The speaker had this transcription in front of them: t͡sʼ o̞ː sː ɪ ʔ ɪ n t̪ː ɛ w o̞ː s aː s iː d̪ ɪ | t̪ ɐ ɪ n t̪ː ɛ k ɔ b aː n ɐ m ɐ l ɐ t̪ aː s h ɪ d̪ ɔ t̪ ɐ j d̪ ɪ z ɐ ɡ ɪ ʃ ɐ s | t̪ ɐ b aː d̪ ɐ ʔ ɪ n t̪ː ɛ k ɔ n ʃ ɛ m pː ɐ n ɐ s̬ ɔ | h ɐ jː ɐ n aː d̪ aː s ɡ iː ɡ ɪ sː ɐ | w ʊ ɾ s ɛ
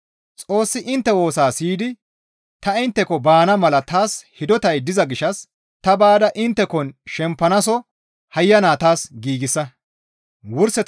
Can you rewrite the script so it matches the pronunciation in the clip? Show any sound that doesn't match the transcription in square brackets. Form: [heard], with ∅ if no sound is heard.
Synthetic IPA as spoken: t͡sʼ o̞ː sː ɪ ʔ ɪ n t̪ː ɛ w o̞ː s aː s iː d̪ ɪ | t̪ ɐ ɪ n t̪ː ɛ k ɔ b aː n ɐ m ɐ l ɐ t̪ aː s h ɪ d̪ ɔ t̪ ɐ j d̪ ɪ z ɐ ɡ ɪ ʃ ɐ s | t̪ ɐ b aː d̪ ɐ ʔ ɪ n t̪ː ɛ k ɔ n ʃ ɛ m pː ɐ n ɐ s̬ ɔ | h ɐ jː ɐ n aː [t̪] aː s ɡ iː ɡ ɪ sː ɐ | w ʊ ɾ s ɛ